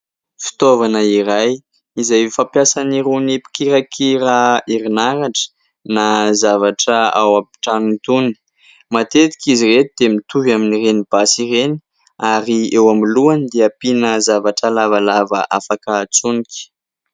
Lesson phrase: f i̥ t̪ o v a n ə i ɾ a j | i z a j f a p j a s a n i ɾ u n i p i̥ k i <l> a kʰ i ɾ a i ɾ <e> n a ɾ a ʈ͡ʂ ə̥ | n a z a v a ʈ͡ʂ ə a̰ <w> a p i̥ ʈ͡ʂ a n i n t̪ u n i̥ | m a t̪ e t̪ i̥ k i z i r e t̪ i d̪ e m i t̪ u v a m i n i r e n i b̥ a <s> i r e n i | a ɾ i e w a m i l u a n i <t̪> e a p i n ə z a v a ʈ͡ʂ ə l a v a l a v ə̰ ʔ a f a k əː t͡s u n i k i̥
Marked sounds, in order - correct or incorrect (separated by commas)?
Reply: incorrect, incorrect, correct, correct, incorrect